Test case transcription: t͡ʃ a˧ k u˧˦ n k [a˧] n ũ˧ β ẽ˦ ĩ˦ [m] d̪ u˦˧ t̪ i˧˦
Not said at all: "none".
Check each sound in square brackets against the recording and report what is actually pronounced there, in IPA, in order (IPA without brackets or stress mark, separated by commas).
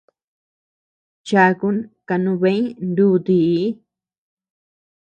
a˧, n